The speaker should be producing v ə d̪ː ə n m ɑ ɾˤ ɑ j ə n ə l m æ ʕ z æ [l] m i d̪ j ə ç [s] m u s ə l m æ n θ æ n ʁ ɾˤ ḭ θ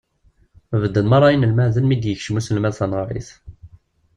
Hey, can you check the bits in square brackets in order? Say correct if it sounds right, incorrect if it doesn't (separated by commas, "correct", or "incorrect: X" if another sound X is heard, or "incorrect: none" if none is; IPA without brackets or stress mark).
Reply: correct, incorrect: ʃ